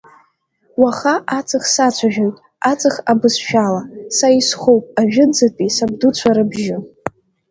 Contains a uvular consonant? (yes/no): yes